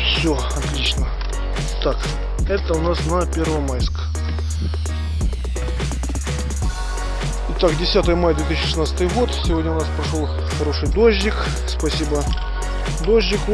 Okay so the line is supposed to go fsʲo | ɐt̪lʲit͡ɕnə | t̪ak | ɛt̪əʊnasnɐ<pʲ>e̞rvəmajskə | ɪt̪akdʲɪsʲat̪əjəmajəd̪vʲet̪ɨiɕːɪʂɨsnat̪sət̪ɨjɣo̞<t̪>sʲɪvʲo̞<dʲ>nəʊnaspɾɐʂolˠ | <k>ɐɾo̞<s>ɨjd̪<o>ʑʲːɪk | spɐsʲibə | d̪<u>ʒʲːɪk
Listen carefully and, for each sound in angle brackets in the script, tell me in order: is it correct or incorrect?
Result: correct, correct, correct, incorrect, incorrect, correct, incorrect

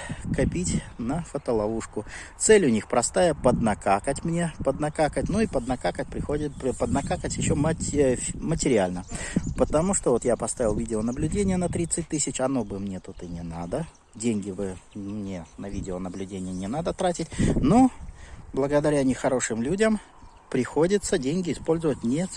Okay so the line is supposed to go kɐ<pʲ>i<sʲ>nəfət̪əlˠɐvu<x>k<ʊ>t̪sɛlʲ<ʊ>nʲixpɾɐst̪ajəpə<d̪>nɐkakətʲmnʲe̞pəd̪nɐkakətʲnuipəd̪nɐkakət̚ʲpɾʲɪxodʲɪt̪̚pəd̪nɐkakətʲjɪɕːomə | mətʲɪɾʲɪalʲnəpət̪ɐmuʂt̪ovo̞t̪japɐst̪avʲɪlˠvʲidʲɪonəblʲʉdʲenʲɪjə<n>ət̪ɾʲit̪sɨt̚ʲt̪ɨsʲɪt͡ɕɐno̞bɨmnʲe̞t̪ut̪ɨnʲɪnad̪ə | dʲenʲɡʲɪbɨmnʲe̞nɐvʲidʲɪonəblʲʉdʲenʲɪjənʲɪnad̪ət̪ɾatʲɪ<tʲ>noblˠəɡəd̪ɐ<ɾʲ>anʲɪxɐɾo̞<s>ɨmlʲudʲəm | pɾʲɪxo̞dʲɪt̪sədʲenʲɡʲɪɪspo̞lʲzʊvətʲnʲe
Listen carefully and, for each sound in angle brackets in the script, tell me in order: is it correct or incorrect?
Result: correct, incorrect, incorrect, correct, correct, correct, correct, correct, correct, incorrect

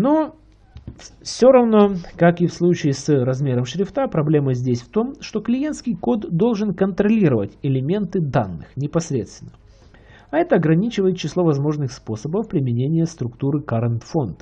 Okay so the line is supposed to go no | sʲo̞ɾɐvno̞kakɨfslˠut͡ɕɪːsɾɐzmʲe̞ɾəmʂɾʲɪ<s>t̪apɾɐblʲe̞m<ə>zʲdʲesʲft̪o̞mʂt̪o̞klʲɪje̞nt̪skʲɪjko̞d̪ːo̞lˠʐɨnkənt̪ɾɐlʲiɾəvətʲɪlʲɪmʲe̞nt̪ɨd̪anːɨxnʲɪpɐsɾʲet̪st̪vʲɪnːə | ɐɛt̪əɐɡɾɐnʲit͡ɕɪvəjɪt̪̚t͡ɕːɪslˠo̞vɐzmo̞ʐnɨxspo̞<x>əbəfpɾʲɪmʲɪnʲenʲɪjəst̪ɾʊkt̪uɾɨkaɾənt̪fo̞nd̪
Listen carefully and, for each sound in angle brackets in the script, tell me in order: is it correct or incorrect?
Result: incorrect, correct, incorrect

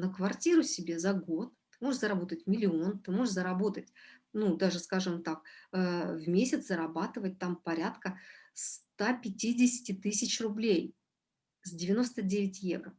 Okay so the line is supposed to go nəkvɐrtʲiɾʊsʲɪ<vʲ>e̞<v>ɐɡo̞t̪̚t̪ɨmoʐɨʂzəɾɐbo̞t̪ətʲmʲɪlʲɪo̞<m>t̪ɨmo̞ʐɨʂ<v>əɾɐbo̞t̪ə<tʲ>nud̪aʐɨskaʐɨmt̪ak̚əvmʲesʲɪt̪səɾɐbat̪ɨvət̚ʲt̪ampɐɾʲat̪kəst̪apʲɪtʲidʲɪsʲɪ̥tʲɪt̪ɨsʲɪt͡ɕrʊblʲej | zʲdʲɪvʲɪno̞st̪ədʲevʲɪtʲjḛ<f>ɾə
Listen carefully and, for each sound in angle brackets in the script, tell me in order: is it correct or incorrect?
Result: incorrect, incorrect, incorrect, incorrect, correct, incorrect

